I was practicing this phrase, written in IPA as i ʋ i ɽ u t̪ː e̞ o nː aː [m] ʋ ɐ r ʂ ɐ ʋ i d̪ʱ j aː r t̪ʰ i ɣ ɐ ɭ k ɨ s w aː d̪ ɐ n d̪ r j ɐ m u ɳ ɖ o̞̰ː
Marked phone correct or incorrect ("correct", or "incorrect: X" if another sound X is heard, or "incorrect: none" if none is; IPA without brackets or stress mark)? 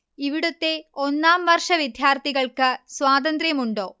correct